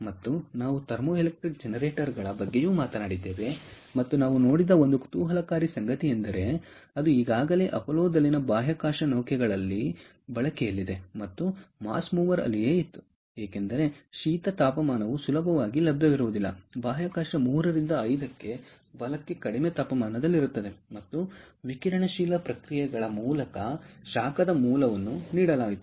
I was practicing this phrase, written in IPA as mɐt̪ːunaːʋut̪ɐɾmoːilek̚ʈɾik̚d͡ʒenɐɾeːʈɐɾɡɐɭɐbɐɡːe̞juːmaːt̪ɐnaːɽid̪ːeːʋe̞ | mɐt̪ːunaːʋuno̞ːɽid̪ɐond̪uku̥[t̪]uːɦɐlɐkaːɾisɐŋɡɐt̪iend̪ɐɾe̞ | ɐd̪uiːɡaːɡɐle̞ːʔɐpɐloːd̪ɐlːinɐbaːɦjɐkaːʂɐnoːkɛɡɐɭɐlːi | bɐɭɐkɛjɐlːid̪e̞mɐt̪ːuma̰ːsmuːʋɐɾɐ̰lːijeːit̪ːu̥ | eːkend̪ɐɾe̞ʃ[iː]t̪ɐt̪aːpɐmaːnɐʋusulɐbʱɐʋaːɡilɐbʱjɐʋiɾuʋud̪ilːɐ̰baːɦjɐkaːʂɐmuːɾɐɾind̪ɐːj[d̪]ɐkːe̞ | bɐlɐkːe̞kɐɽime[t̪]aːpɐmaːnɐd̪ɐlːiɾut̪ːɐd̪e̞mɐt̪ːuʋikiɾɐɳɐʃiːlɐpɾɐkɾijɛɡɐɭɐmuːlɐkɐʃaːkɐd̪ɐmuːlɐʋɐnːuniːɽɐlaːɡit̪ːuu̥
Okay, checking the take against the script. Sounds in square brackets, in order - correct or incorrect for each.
correct, correct, correct, correct

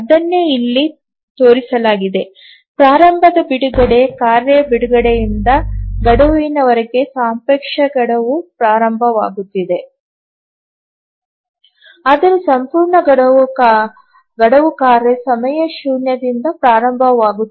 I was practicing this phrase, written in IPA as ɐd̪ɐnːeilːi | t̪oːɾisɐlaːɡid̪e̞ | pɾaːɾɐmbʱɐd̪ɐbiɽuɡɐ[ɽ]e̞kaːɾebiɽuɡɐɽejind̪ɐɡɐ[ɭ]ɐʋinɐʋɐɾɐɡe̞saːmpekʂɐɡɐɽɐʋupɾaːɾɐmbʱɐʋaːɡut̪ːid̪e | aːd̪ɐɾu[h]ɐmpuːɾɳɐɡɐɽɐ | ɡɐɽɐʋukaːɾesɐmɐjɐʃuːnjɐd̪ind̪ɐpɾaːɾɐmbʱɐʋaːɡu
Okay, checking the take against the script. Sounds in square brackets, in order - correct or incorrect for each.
correct, incorrect: ɽ, incorrect: s

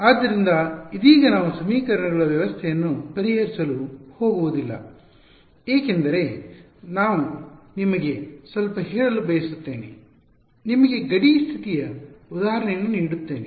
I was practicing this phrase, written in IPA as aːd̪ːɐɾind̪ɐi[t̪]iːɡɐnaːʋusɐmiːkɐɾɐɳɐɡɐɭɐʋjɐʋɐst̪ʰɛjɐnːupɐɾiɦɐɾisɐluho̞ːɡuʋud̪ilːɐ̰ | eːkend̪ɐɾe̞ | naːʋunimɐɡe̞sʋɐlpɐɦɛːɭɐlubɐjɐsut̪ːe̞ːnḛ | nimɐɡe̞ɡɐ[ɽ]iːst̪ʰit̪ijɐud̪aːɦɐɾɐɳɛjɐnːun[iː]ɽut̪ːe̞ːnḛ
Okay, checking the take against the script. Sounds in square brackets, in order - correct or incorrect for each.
incorrect: d̪, correct, correct

